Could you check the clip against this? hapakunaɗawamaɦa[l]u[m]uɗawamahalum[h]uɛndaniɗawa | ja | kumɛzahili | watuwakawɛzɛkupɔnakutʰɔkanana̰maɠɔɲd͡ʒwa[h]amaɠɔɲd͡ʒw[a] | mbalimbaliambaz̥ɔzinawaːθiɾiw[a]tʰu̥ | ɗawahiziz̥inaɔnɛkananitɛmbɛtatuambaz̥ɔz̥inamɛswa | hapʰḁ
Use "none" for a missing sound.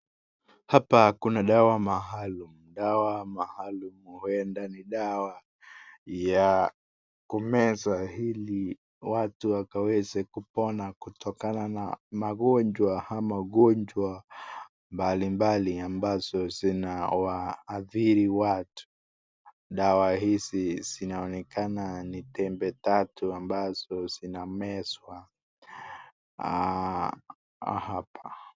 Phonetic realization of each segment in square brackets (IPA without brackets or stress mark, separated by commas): l, m, h, h, a, a